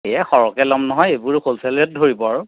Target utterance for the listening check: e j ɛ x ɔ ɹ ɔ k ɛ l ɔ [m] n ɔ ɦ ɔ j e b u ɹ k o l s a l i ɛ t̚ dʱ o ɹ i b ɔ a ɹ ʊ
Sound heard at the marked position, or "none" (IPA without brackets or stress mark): m